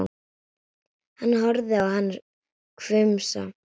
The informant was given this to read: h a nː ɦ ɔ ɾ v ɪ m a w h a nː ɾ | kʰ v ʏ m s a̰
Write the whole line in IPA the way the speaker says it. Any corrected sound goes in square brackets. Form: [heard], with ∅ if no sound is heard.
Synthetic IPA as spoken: h a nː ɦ ɔ ɾ [ð] ɪ [∅] a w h a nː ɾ | kʰ v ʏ m s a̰